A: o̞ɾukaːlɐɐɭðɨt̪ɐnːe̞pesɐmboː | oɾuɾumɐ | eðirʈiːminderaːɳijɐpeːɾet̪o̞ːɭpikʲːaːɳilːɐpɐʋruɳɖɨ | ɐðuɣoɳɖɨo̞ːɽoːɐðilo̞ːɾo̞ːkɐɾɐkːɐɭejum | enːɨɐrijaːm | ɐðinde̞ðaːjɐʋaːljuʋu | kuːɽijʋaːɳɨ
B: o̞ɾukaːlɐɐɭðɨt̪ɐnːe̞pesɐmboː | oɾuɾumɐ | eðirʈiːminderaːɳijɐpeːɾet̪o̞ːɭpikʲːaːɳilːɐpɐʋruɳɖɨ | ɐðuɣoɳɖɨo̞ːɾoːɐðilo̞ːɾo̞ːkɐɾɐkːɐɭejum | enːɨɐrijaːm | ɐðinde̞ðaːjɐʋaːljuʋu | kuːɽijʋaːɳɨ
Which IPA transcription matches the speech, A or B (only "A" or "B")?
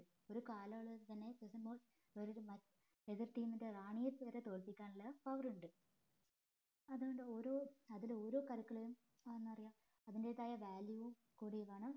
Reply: B